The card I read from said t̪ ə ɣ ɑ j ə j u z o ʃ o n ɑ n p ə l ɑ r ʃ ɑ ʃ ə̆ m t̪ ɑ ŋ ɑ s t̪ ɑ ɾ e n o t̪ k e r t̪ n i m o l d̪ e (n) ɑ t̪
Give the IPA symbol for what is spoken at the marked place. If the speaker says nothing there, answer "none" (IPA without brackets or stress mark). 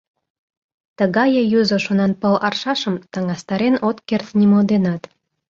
n